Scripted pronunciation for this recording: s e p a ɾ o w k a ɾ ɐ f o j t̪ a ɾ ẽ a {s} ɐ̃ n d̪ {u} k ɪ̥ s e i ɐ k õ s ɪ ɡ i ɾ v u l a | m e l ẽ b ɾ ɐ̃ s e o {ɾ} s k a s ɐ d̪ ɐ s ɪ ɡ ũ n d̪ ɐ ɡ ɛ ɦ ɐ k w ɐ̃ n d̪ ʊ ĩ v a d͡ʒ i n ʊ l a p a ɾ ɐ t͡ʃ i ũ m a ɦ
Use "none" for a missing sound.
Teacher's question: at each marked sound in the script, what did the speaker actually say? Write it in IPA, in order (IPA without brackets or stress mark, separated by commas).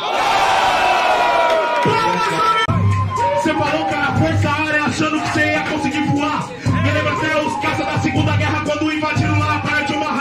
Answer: ʃ, ʊ, none